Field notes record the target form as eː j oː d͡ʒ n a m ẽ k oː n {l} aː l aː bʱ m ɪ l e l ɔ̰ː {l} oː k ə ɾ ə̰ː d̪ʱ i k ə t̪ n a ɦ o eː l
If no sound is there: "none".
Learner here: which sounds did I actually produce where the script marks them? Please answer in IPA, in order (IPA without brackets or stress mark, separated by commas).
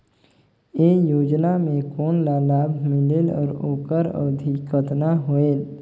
l, ɾ